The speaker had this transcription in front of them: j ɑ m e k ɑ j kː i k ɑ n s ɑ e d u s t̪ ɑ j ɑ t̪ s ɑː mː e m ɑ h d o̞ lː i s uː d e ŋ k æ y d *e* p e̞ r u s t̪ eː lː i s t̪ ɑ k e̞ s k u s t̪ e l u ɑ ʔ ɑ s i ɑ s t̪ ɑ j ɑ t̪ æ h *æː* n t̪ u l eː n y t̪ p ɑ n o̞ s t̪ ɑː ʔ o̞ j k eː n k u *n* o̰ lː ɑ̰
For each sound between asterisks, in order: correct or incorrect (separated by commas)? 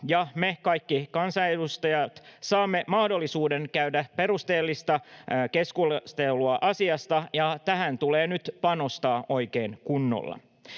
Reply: incorrect, incorrect, incorrect